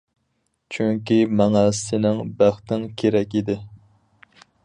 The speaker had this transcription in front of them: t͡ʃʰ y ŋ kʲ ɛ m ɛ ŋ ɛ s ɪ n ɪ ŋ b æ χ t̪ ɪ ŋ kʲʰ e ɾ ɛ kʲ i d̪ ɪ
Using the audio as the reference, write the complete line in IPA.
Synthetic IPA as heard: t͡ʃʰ y ŋ kʲ i m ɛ ŋ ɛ s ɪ n ɪ ŋ b æ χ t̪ ɪ ŋ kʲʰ e ɾ ɛ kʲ i d̪ ɪ